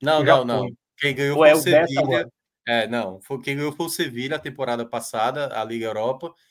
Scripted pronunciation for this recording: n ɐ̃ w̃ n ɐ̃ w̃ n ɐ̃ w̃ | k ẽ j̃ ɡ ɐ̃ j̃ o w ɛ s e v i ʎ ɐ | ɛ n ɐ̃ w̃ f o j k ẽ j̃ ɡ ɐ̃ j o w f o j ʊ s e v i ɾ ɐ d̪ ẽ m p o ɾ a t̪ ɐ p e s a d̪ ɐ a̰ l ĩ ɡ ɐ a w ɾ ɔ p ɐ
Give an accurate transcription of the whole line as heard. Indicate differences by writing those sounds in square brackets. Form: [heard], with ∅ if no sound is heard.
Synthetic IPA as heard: n ɐ̃ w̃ n ɐ̃ w̃ n ɐ̃ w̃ | k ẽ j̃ ɡ ɐ̃ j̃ o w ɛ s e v i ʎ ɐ | ɛ n ɐ̃ w̃ f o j k ẽ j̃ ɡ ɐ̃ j o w f o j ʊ s e v i [ʎ] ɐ [t̪] ẽ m p o ɾ a [d̪] ɐ p [a] s a d̪ ɐ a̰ l [i] ɡ ɐ [e] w ɾ ɔ p ɐ